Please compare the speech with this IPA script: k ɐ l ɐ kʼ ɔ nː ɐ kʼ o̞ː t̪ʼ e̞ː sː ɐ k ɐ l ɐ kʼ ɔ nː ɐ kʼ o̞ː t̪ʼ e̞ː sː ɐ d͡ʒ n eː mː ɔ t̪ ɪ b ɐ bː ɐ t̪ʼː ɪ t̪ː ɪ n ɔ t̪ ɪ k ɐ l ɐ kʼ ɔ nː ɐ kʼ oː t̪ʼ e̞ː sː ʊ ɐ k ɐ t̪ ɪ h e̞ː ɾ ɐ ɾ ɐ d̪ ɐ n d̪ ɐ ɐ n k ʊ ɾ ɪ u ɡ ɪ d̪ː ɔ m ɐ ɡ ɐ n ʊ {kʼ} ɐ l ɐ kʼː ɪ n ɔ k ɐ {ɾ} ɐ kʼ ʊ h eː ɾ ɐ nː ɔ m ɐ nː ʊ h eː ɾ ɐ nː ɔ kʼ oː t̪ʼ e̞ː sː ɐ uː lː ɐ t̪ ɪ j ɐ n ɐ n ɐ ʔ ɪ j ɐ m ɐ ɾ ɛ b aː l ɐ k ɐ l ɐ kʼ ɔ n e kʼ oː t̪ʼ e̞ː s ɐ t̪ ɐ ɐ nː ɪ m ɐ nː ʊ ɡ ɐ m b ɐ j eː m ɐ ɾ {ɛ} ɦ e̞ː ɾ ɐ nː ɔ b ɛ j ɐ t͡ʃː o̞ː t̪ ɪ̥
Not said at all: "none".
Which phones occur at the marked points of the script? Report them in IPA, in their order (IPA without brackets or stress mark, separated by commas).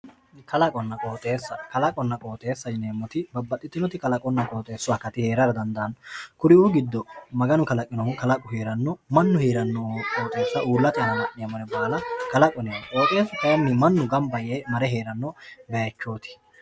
k, l, ɛ